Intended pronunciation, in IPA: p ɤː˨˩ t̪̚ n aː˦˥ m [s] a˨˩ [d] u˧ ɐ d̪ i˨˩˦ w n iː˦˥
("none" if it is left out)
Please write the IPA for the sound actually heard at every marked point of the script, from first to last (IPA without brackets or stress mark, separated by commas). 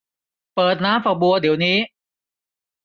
f, b